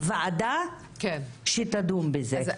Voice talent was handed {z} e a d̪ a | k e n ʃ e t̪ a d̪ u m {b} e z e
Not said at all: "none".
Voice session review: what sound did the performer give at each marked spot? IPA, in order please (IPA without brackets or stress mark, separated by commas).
v, b